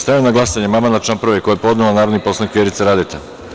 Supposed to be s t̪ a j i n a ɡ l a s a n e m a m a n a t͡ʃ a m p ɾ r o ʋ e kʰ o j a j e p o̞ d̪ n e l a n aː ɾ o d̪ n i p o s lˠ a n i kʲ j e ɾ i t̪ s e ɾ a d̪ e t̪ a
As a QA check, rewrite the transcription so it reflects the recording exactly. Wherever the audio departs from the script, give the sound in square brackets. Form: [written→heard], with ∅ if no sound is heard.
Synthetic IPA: s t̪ a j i n a ɡ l a s a [n→ɲ] e m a m a n a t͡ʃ a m p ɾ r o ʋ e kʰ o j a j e p o̞ d̪ n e l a n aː ɾ o d̪ n i p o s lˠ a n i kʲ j e ɾ i t̪ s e ɾ a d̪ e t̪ a